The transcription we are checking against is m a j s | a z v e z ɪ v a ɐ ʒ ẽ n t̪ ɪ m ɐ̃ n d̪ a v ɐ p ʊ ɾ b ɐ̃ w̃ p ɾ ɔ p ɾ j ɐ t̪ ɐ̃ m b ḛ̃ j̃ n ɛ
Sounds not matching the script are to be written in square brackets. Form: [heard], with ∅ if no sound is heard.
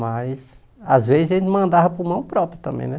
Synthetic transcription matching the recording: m a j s | a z v e z ɪ [z] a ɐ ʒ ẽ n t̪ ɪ m ɐ̃ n d̪ a v ɐ p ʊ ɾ [m] ɐ̃ w̃ p ɾ ɔ p ɾ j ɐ t̪ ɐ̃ m b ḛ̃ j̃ n ɛ